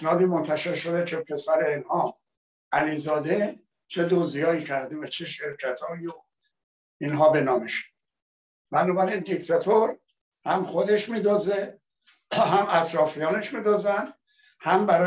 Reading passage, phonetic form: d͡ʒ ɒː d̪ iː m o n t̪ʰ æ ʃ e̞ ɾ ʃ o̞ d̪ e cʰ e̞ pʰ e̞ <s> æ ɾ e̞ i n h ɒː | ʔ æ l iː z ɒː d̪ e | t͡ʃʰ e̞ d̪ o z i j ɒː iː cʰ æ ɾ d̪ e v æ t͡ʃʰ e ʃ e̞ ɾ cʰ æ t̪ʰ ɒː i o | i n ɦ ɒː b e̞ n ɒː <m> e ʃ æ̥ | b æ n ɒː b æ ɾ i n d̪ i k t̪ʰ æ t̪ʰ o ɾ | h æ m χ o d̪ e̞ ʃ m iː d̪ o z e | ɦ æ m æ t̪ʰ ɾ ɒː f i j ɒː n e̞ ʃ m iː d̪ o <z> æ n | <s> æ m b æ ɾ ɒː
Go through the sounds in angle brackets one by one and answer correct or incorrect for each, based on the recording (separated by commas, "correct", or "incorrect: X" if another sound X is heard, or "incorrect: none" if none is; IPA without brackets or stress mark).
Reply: correct, correct, correct, incorrect: h